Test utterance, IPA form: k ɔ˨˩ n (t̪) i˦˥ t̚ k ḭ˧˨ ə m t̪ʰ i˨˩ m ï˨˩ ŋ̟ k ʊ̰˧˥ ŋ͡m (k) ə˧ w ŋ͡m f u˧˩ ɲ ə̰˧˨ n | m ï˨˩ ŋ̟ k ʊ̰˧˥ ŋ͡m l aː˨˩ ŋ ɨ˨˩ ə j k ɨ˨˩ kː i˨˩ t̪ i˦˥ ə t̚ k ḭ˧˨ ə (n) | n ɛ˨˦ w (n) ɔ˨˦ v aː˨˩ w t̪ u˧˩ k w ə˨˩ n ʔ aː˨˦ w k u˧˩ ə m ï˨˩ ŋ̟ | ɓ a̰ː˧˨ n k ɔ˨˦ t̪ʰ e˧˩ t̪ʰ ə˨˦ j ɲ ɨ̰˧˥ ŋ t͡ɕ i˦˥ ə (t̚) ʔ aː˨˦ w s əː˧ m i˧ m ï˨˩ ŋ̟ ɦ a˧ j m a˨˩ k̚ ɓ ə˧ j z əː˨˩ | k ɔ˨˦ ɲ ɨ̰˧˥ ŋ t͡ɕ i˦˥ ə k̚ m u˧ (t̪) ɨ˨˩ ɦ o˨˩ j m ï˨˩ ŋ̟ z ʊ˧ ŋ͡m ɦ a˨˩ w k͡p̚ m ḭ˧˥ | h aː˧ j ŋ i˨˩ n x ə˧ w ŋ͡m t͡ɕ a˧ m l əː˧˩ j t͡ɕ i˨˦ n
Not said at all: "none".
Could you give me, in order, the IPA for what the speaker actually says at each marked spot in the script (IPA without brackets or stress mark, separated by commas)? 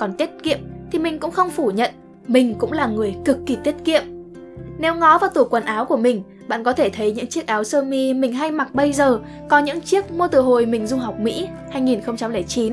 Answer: t̪, x, m, ŋ, k̚, t̪